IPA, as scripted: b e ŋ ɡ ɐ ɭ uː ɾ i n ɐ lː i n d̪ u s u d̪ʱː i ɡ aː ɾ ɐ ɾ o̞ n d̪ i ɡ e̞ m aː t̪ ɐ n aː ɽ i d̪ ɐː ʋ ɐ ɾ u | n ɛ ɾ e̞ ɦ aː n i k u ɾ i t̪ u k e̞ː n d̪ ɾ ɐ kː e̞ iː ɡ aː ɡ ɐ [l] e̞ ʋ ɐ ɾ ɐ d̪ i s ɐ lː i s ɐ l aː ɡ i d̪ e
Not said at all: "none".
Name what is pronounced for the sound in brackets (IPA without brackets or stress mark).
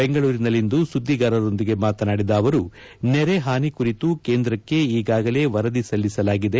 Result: l